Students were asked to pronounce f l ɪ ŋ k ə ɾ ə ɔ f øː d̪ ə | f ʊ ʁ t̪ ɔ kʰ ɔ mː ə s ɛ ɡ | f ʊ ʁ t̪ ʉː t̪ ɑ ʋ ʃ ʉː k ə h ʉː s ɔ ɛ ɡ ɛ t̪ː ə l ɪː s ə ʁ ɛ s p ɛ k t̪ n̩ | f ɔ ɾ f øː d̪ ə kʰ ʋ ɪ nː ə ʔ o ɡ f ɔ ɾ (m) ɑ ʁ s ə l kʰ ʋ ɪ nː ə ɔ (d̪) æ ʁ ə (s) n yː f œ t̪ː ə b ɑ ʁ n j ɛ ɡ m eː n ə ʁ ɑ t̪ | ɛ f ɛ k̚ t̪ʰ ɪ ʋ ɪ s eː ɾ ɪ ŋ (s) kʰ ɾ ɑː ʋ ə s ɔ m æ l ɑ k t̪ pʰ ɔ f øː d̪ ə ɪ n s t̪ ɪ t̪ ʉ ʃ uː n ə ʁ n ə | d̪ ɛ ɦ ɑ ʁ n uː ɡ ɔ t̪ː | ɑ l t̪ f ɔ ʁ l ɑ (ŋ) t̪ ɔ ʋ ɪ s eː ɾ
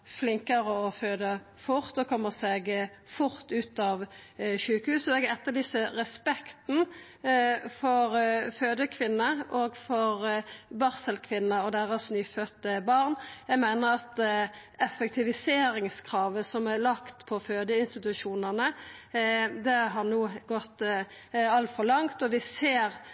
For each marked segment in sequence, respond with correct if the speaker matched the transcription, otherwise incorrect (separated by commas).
incorrect, correct, correct, correct, correct